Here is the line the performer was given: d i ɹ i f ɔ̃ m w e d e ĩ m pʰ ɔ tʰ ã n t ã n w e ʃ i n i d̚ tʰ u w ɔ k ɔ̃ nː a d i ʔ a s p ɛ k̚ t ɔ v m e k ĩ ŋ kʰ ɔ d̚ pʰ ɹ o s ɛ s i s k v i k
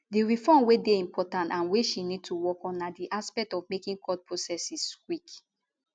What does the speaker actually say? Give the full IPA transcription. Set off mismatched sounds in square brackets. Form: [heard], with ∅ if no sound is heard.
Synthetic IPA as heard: d i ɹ i f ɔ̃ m w e d e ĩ m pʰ ɔ [t] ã n t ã n w e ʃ i n i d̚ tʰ u w ɔ k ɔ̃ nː a d i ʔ a s p ɛ k̚ t ɔ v m e k ĩ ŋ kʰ ɔ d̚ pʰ ɹ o s ɛ s i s k [w] i k